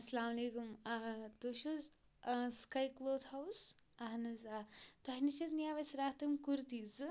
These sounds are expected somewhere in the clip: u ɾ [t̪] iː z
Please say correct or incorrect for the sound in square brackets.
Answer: correct